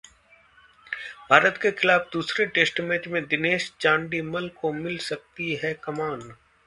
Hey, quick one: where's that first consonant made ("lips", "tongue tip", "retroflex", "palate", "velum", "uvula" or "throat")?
lips